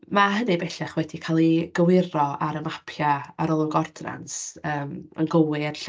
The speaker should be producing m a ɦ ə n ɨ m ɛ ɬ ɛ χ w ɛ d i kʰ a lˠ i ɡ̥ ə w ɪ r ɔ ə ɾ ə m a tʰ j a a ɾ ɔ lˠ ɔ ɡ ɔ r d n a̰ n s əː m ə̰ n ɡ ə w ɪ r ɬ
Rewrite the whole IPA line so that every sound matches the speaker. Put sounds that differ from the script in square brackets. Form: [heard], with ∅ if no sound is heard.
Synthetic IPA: m a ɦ ə n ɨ [b] ɛ ɬ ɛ χ w ɛ d i kʰ a lˠ i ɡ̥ ə w ɪ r ɔ [a] ɾ ə m a [pʰ] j a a ɾ ɔ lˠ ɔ ɡ ɔ r d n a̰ n s əː m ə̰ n ɡ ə w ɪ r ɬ